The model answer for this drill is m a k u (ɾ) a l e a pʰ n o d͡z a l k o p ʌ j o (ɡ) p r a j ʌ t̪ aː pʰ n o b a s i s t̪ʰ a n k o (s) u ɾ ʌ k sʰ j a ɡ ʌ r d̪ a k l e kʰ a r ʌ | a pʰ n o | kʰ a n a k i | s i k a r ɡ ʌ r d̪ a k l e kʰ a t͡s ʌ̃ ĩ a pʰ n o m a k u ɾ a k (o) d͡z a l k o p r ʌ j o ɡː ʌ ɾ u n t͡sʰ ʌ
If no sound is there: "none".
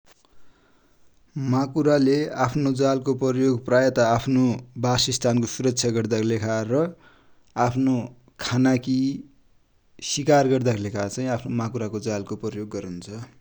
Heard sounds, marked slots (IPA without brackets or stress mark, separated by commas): ɾ, ɡ, s, o